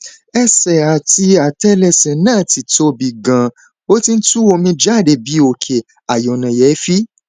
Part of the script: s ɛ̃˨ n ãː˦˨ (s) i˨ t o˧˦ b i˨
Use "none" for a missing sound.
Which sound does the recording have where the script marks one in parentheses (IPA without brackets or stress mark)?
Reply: t